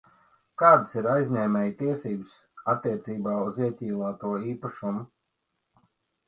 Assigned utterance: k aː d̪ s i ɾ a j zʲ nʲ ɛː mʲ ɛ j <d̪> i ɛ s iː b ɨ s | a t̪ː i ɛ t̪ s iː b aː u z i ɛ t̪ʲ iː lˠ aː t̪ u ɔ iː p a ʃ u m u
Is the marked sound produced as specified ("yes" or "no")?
no